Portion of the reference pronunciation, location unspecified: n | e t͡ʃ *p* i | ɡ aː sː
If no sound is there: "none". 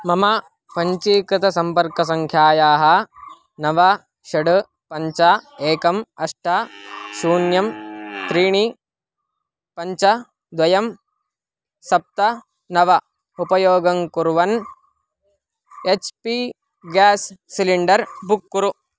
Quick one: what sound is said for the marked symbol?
p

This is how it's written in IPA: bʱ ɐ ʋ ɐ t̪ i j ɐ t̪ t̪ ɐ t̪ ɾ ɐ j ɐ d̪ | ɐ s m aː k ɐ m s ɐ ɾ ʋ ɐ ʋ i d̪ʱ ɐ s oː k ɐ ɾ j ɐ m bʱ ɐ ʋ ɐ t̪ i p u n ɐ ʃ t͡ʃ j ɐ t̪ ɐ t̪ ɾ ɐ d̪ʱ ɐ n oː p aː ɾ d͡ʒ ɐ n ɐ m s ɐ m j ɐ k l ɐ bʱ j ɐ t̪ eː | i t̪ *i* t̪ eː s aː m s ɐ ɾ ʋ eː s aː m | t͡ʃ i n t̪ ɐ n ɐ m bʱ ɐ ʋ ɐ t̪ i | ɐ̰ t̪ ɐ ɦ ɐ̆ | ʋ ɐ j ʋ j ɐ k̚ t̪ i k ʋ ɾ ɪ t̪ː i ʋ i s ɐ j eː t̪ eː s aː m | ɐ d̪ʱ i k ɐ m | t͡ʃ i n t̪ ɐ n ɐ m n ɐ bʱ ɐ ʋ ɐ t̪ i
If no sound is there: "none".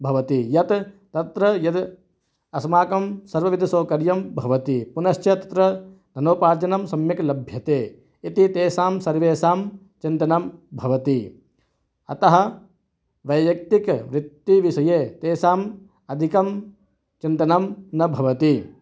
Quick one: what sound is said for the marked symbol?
i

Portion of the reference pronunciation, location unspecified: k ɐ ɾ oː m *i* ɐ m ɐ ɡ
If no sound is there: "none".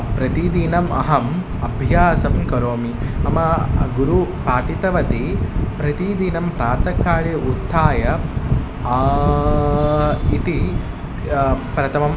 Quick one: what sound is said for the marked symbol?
i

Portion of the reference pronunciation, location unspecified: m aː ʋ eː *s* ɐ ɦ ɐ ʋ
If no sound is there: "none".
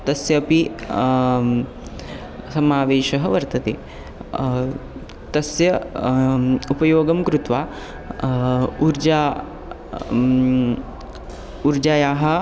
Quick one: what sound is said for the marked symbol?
ʃ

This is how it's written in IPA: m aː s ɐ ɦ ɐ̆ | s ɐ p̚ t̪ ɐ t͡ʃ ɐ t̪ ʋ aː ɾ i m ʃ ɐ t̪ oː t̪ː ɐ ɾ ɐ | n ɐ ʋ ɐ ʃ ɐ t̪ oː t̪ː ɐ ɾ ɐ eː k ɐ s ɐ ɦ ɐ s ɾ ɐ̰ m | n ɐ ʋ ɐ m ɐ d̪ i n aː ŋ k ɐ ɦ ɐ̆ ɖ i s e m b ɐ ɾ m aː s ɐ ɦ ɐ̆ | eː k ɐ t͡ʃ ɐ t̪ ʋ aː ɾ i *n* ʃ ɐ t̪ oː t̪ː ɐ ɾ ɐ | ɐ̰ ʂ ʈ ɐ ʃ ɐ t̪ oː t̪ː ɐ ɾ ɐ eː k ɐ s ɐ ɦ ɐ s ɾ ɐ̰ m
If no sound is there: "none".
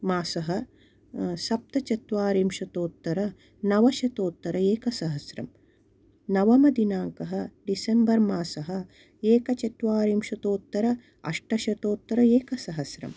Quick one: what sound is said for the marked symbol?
m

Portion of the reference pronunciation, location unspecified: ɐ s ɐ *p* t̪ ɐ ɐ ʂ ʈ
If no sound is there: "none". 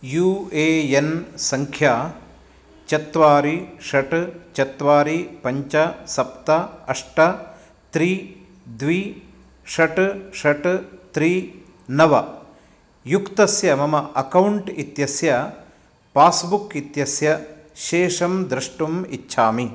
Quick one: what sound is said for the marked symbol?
p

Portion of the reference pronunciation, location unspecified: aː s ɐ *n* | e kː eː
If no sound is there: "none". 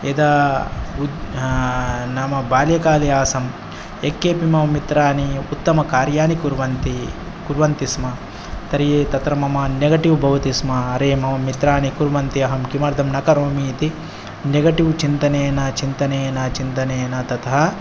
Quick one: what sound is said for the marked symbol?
m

